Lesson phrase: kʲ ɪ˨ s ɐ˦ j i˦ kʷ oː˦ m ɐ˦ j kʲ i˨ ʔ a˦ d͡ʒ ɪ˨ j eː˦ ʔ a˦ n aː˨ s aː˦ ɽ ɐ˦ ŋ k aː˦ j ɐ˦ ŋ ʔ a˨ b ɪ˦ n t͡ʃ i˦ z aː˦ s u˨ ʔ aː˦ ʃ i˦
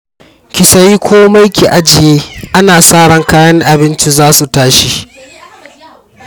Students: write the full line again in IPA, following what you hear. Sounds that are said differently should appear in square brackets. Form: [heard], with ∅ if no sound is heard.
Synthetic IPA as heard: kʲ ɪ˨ s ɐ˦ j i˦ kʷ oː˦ m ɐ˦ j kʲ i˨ ʔ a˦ d͡ʒ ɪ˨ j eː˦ ʔ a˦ n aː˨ s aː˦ ɽ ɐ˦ ŋ k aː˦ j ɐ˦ ŋ ʔ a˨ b ɪ˦ n t͡ʃ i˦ z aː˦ s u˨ [t] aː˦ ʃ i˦